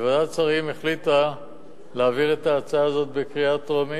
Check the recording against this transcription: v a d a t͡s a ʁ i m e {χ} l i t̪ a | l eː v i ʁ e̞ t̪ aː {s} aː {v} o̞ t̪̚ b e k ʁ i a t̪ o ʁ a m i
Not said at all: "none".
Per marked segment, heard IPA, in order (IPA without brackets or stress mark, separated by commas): χ, t͡s, z